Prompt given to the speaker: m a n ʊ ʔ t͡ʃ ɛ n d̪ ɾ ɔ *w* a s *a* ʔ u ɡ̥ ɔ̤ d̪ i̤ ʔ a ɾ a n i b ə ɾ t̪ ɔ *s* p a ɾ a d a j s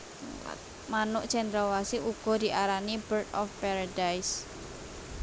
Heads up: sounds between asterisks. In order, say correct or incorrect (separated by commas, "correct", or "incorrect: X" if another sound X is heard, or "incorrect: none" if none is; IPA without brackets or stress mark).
correct, incorrect: i, incorrect: f